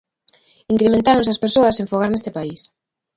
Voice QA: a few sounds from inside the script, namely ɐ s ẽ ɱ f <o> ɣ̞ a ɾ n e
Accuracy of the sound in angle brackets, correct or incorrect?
correct